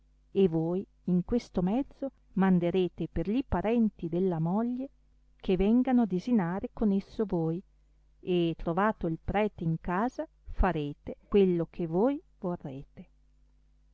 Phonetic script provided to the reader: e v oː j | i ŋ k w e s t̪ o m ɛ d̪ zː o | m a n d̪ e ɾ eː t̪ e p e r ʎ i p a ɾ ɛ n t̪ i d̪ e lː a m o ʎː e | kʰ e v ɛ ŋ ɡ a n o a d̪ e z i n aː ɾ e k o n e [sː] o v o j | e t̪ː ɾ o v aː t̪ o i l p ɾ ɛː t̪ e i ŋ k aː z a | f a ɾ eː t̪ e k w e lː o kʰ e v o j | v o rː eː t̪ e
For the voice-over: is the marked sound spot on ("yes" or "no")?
yes